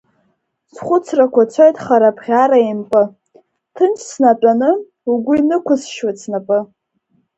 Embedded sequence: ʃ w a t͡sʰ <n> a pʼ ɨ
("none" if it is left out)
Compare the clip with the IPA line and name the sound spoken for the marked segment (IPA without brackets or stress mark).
n